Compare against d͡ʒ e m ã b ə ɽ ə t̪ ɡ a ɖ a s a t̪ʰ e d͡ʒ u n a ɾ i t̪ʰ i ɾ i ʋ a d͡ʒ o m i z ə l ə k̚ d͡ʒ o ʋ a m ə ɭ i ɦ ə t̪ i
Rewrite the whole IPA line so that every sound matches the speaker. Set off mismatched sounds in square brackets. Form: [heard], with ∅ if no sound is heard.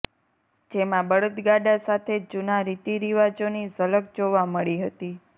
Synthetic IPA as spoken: d͡ʒ e m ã b ə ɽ ə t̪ ɡ a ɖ a s a t̪ʰ e d͡ʒ u n a ɾ i [t̪] i ɾ i ʋ a d͡ʒ o [n] i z ə l ə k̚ d͡ʒ o ʋ a m ə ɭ i ɦ ə t̪ i